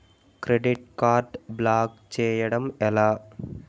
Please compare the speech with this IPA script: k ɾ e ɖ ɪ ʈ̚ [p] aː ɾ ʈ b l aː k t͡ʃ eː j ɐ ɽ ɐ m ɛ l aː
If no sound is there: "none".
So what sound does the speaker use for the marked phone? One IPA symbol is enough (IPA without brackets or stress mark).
k